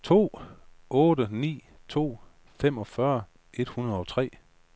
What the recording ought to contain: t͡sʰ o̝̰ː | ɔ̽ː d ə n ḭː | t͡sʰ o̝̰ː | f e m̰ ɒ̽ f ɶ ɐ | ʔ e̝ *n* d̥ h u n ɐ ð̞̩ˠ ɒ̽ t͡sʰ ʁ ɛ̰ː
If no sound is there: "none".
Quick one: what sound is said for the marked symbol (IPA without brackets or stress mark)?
none